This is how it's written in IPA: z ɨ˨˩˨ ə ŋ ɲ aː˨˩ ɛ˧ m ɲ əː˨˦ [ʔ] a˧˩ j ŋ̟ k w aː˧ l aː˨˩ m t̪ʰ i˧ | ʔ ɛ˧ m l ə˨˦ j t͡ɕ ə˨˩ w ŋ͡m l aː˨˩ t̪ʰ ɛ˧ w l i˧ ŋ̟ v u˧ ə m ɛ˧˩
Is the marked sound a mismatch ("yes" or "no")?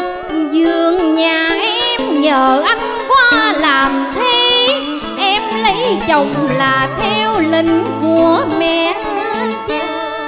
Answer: no